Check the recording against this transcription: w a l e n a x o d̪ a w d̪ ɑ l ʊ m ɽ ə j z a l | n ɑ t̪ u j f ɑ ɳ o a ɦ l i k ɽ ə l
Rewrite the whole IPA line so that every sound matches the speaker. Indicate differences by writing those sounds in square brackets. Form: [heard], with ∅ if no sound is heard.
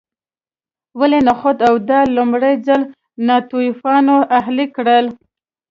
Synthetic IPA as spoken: w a l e n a x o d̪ a w d̪ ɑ l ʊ m ɽ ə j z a l | n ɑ t̪ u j f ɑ [n] o a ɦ l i k ɽ ə l

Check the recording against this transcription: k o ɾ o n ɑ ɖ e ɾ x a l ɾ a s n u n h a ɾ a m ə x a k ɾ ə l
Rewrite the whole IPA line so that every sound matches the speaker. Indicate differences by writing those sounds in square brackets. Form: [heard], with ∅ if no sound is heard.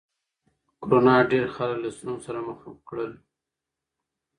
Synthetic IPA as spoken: k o ɾ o n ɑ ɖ e ɾ x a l [l] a s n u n [s] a ɾ a m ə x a k [ɽ] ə l

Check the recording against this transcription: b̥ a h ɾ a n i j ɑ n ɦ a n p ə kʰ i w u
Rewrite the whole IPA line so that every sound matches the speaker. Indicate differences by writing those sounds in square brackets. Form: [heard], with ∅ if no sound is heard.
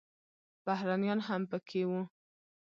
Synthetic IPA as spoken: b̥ a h ɾ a n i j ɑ n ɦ a [m] p ə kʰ [e] w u

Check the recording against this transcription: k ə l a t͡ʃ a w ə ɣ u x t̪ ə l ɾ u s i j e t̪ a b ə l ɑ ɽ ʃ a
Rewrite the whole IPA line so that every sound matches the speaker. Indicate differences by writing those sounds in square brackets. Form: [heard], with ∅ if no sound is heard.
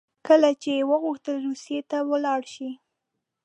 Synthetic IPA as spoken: k ə l a t͡ʃ [e] w ə ɣ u x t̪ ə l ɾ u s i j e t̪ a [w] ə l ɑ ɽ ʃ [i]

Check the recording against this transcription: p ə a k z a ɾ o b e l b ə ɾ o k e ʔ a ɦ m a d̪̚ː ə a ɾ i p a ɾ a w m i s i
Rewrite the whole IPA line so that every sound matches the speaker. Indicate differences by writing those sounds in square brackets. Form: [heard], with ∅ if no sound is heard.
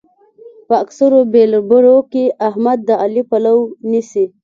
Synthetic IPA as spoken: p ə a k [s] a ɾ o b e l b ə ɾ o k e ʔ a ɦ m a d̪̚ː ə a [l] i p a [l] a w [n] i s i

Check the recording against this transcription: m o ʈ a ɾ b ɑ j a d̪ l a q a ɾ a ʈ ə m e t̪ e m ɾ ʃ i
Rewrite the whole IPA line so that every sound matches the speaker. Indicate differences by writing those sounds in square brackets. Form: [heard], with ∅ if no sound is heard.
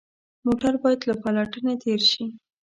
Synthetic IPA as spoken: m o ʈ a ɾ b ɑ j a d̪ l a [p] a [l] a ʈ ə [n] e t̪ e [∅] ɾ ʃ i

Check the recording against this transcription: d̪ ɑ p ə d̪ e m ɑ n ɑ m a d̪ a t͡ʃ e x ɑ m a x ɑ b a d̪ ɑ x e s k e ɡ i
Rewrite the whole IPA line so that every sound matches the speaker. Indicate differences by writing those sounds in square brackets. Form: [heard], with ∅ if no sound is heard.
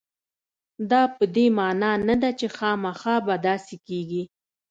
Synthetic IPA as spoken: d̪ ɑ p ə d̪ e m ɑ n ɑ [n] a d̪ a t͡ʃ e x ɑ m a x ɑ b a d̪ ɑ [s] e [∅] k e ɡ i

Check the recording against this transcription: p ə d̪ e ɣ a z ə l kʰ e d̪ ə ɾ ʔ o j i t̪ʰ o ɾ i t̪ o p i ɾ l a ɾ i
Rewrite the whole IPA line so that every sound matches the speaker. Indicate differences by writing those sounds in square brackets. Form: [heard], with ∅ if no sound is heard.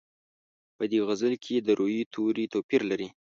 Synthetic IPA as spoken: p ə d̪ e ɣ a z ə l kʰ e d̪ ə ɾ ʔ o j i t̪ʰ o ɾ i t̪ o p i ɾ l a ɾ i

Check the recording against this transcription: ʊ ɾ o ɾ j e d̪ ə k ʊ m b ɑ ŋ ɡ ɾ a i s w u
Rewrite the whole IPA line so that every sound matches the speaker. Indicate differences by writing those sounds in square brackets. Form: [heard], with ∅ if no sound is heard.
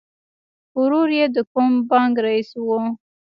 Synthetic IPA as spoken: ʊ ɾ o ɾ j e d̪ ə k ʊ m b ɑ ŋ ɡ ɾ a i s w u

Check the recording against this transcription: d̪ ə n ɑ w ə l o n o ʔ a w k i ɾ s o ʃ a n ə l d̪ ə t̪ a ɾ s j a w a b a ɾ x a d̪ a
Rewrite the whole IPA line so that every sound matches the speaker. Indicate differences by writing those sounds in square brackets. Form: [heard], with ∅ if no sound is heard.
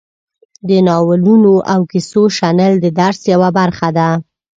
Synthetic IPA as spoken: d̪ ə n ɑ w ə l [u] n o ʔ a w k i [∅] s o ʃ a n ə l d̪ ə [d̪] a ɾ s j a w a b a ɾ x a d̪ a

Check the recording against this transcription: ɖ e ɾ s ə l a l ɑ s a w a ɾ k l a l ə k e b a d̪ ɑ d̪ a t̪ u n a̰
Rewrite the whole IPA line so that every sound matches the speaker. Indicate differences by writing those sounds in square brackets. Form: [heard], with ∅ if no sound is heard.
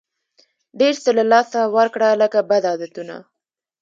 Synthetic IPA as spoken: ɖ e ɾ s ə l a l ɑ s a w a ɾ k [ɽ] a l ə k [a] b a d̪ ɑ d̪ a t̪ u n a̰

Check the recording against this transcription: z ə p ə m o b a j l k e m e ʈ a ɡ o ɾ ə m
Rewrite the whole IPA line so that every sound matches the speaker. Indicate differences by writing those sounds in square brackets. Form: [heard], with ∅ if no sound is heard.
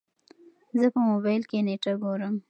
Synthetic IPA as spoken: z ə p ə m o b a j l k e [n] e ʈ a ɡ o ɾ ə m

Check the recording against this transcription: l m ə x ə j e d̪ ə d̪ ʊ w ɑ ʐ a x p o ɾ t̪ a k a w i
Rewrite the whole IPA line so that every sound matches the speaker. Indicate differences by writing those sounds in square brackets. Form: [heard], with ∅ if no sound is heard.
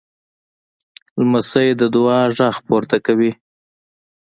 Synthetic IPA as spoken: l m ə [s] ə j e d̪ ə d̪ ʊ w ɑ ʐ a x p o ɾ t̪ a k a w i

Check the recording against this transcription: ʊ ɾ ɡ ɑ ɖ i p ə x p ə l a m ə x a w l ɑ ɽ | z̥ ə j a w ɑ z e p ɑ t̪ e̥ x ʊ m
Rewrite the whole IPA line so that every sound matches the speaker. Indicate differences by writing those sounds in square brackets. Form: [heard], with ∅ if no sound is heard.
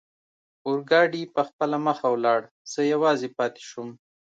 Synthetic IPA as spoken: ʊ ɾ ɡ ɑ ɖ i p ə x p ə l a m ə x a w l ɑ ɽ | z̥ ə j a w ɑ z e p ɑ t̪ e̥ [ʃ] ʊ m

